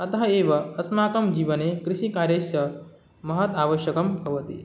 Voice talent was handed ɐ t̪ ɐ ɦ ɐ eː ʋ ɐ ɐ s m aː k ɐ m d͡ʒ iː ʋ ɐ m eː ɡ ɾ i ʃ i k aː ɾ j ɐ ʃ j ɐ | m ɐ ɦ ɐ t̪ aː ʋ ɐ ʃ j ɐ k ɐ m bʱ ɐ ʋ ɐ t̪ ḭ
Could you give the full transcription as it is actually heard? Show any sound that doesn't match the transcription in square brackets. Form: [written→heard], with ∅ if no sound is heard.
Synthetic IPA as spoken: ɐ t̪ ɐ ɦ ɐ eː ʋ ɐ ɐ s m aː k ɐ m d͡ʒ iː ʋ ɐ [m→n] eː [ɡ→k] ɾ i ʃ i k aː ɾ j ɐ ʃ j ɐ | m ɐ ɦ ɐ t̪ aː ʋ ɐ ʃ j ɐ k ɐ m bʱ ɐ ʋ ɐ t̪ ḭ